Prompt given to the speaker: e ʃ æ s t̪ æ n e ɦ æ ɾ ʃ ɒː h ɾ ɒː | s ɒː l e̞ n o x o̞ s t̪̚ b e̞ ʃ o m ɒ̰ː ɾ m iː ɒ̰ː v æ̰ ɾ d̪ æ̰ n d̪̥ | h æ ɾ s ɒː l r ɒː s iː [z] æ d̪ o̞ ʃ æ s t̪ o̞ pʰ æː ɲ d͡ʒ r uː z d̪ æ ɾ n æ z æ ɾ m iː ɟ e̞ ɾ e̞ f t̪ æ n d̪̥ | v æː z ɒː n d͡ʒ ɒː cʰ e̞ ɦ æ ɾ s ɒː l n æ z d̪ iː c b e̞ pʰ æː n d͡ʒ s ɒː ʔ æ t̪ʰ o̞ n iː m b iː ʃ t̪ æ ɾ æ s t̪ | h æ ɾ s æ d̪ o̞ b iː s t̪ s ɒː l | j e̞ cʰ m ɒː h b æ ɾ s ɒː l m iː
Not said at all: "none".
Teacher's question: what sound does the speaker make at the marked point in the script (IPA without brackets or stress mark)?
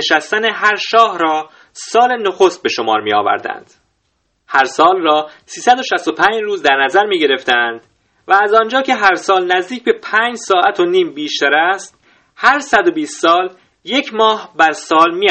s